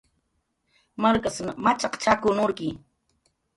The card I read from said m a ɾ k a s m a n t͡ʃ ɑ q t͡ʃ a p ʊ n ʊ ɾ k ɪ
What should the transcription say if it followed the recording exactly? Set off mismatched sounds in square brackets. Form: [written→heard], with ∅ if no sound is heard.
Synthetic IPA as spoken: m a ɾ k a s m a [n→∅] t͡ʃ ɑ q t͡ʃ a [p→k] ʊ n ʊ ɾ k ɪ